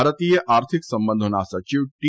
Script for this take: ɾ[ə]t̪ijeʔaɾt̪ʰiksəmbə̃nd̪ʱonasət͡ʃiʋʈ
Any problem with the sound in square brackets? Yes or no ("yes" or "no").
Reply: no